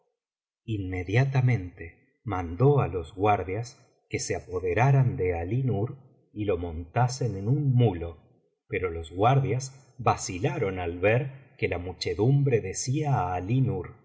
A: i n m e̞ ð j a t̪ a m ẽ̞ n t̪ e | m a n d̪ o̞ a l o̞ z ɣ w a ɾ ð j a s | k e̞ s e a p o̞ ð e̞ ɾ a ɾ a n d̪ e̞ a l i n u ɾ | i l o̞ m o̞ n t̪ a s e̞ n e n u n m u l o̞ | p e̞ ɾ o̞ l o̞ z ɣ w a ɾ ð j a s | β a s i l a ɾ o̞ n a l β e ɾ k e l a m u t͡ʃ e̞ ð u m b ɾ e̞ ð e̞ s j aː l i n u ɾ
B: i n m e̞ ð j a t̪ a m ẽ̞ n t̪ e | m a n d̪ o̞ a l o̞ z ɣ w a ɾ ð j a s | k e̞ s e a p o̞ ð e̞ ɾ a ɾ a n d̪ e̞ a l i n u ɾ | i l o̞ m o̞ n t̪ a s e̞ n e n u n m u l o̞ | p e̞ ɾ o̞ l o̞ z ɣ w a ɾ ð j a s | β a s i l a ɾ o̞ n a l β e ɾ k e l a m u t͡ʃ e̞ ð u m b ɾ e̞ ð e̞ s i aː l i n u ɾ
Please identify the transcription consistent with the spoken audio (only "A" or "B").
B